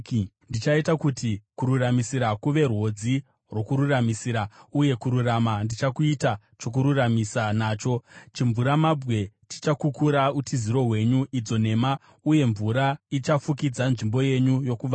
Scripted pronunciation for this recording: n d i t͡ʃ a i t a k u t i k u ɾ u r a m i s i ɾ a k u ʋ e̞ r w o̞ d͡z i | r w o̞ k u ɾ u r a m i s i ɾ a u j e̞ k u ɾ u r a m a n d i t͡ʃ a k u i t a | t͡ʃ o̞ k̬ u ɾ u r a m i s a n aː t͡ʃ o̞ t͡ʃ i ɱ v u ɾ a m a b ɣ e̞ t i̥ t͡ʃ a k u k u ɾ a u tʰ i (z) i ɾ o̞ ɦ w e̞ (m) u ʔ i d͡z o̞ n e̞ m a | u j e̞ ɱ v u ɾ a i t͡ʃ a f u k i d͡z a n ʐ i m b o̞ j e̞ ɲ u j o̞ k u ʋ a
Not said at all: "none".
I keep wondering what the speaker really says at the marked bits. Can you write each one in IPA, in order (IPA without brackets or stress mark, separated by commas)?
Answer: z, ɲ